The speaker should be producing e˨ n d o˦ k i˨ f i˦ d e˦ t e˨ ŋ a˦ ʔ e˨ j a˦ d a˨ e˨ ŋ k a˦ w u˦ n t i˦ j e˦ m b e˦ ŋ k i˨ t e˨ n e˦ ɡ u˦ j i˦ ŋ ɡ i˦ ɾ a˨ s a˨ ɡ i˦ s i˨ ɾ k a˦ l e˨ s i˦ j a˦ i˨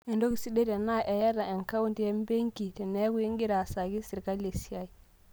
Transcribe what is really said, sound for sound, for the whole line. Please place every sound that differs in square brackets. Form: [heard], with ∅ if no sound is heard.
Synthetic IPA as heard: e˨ n d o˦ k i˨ [s] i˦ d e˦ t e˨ [n] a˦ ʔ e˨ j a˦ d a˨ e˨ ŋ k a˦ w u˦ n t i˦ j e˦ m b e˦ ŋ k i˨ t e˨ n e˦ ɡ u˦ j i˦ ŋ ɡ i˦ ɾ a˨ s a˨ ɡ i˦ s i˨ ɾ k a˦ l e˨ s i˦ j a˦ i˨